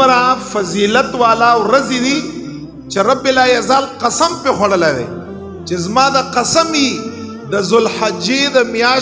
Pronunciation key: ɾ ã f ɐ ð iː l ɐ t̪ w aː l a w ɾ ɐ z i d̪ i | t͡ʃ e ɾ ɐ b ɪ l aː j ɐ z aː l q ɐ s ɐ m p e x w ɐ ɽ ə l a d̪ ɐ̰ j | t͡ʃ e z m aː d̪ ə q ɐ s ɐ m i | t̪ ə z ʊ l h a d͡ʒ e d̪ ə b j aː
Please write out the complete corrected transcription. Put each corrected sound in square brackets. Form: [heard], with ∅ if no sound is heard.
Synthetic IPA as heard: ɾ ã f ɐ [z] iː l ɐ t̪ w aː l a w ɾ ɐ z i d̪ i | t͡ʃ e ɾ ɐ b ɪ l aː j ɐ z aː l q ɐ s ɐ m p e x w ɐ ɽ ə l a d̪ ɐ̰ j | t͡ʃ e z m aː d̪ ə q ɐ s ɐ m i | [d̪] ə z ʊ l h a d͡ʒ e d̪ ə [m] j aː